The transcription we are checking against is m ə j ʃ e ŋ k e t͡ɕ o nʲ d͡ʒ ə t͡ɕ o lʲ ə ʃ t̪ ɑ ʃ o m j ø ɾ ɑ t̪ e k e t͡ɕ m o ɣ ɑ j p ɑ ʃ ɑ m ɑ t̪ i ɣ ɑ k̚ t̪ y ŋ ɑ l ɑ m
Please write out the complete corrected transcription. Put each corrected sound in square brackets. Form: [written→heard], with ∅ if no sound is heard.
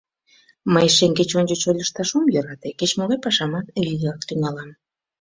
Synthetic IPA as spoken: m ə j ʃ e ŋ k e t͡ɕ o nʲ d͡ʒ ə t͡ɕ o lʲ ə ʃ t̪ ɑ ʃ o m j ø ɾ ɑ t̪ e k e t͡ɕ m o ɣ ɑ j p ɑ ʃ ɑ m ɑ t̪ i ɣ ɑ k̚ t̪ y ŋ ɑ l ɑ m

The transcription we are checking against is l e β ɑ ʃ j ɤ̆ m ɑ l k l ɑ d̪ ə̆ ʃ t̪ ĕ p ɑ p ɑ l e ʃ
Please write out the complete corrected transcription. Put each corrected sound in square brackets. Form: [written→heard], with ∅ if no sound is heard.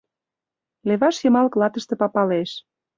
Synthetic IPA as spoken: l e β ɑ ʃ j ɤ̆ m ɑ l k l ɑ [d̪→t̪] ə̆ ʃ t̪ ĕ p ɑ p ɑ l e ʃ

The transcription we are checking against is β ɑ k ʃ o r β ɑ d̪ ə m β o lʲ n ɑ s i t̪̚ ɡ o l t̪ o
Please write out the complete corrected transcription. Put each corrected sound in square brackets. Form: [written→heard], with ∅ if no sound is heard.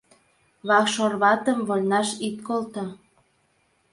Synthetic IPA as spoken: β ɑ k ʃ o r β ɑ [d̪→t̪] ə m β o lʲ n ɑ [s→ʃ] i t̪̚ [ɡ→k] o l t̪ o

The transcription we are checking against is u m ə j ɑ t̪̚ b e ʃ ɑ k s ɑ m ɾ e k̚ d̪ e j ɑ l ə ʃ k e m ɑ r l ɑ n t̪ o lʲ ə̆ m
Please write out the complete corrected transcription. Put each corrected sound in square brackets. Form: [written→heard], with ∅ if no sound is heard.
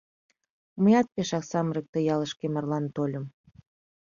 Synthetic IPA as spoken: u m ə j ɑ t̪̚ [b→p] e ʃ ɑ k s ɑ m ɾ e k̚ [d̪→t̪] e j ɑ l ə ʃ k e m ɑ r l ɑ n t̪ o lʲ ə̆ m

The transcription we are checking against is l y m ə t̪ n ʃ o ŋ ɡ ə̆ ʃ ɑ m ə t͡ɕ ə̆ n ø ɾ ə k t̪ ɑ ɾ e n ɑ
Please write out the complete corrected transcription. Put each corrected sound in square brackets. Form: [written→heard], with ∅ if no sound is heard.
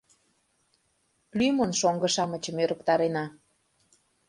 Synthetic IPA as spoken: l y m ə [t̪→∅] n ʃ o ŋ ɡ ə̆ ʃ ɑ m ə t͡ɕ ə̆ [n→m] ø ɾ ə k t̪ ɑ ɾ e n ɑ

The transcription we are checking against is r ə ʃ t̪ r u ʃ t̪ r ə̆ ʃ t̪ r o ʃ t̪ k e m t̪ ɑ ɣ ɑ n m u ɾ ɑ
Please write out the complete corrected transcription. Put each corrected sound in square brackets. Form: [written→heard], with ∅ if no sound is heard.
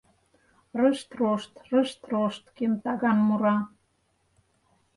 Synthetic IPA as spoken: r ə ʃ t̪ r [u→o] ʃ t̪ r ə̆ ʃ t̪ r o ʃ t̪ k e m t̪ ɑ ɣ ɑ n m u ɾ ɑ

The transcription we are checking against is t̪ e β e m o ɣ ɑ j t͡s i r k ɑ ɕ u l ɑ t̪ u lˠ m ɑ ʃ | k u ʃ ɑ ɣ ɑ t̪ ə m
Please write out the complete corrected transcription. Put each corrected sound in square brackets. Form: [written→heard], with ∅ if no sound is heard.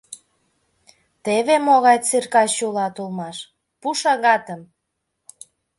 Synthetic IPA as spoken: t̪ e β e m o ɣ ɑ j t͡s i r k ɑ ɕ u l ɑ t̪ u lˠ m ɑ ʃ | [k→p] u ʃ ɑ ɣ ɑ t̪ ə m

